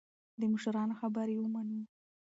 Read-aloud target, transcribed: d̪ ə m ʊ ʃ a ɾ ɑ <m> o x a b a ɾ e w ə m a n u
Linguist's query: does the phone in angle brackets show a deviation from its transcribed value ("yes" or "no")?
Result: yes